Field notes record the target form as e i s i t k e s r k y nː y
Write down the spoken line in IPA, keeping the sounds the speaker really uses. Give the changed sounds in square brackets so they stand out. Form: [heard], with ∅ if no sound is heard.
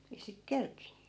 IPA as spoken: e i s i t k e [∅] r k [i] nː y